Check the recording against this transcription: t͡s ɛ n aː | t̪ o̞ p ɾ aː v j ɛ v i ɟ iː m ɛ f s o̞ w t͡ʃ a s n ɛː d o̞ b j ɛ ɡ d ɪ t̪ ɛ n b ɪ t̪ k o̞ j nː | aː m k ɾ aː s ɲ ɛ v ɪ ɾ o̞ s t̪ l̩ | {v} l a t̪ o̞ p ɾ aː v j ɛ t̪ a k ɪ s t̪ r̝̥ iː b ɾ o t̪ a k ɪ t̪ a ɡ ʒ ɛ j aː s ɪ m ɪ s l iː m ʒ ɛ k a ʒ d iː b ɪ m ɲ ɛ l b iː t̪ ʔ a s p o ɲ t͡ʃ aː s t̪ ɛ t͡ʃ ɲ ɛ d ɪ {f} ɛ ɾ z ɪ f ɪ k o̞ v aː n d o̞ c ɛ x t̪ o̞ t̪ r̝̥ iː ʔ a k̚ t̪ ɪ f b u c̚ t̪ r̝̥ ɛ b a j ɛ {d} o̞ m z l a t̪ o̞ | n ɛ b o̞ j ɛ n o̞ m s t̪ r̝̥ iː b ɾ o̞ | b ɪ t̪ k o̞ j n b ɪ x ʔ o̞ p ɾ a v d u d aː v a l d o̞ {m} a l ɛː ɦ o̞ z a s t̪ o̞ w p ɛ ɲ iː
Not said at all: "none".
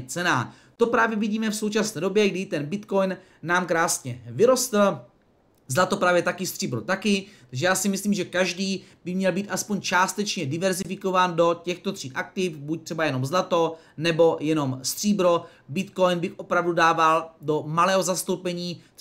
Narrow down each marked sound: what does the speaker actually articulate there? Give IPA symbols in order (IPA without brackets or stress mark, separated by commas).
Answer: z, v, n, m